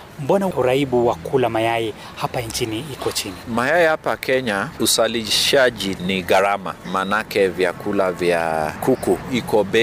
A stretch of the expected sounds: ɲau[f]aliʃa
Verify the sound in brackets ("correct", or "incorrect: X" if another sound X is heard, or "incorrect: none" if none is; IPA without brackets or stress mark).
incorrect: s